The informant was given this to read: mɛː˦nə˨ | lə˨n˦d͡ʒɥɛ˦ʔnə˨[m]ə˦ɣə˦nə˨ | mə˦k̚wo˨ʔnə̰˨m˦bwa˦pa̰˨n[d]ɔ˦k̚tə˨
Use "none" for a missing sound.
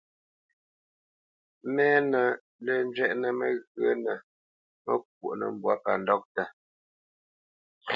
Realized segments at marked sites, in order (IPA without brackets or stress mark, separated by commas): m, d